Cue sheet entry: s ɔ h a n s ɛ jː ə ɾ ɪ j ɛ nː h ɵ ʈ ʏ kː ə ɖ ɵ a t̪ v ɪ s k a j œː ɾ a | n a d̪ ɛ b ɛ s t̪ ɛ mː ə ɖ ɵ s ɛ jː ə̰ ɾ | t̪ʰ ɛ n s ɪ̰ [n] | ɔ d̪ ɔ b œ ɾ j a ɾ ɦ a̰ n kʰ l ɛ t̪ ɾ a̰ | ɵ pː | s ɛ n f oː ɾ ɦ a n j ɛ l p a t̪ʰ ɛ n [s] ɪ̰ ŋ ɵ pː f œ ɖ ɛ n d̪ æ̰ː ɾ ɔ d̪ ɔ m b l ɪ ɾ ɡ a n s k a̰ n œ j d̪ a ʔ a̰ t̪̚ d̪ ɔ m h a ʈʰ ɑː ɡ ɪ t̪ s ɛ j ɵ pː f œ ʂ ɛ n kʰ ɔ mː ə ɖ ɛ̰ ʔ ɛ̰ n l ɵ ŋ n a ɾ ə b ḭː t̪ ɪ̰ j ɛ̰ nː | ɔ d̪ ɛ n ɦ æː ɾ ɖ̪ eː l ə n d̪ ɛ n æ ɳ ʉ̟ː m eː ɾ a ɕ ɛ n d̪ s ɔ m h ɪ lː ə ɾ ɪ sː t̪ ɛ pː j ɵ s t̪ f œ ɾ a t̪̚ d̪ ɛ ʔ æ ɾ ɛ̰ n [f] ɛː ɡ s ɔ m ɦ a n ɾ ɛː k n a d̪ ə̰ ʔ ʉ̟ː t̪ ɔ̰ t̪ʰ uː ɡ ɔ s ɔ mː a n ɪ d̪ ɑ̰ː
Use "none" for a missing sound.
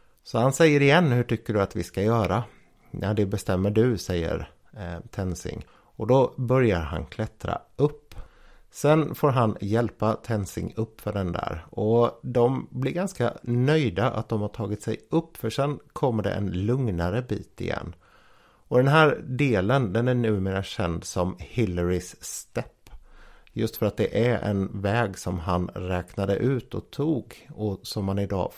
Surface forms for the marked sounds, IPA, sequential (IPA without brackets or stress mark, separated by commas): ŋ, s, v